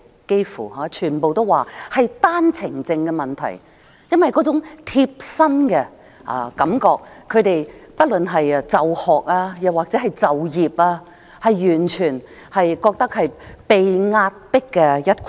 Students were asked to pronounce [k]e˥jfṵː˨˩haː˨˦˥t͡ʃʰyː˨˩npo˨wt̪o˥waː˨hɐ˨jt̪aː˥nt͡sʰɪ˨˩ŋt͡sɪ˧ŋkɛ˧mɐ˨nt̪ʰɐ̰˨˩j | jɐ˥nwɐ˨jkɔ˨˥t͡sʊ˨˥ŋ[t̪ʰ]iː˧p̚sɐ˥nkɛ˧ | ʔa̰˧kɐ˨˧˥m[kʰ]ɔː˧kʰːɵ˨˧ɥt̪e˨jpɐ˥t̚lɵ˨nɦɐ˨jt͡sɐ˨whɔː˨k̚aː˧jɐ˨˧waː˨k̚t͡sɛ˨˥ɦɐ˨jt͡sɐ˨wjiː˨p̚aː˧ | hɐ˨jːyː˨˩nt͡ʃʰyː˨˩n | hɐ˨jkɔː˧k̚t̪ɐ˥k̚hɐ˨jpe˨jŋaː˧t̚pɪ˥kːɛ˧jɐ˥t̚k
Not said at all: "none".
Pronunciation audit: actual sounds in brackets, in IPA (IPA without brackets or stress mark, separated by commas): k, t̪ʰ, k